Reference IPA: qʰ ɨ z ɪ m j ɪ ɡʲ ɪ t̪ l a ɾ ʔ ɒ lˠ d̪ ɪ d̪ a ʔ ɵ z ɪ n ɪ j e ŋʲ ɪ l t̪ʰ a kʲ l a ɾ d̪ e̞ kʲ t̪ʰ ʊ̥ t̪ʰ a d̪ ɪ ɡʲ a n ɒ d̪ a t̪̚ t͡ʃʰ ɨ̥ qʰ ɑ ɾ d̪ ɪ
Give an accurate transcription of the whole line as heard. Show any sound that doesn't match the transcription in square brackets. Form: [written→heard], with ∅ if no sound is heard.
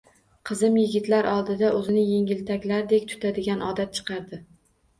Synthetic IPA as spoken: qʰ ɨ z ɪ m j ɪ ɡʲ ɪ t̪ l a ɾ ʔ ɒ lˠ d̪ ɪ d̪ a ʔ ɵ z ɪ n ɪ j e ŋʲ ɪ l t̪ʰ a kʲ l a ɾ d̪ e̞ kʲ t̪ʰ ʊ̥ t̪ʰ a d̪ ɪ ɡʲ a n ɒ d̪ a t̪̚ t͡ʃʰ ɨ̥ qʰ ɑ ɾ d̪ ɪ